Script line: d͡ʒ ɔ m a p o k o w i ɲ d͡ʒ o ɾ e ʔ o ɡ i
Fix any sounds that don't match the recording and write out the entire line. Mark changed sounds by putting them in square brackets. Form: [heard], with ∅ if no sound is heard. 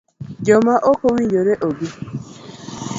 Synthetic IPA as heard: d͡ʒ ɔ m a [ʔ] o k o w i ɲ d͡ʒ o ɾ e ʔ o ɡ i